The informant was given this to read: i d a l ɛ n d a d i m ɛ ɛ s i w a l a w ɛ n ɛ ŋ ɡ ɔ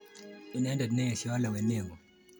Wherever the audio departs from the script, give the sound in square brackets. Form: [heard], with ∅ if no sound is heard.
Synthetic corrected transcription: i [n] a [∅] ɛ n d a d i [n] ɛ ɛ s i w a l a w ɛ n ɛ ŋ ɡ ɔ